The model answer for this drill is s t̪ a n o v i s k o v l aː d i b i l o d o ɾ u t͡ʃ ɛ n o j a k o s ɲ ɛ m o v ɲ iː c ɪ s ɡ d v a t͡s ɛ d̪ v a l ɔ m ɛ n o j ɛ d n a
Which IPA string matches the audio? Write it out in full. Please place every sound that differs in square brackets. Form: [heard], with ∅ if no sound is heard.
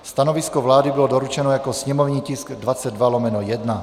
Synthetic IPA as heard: s t̪ a n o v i s k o v l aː d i b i l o d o ɾ u t͡ʃ ɛ n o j a k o s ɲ ɛ m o v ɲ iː c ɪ s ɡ d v a t͡s ɛ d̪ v a l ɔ m ɛ n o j ɛ d n a